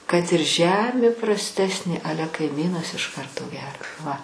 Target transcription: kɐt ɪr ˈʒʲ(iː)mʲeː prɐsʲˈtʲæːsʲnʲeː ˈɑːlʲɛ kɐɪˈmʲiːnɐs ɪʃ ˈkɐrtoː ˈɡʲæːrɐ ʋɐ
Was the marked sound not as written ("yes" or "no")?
yes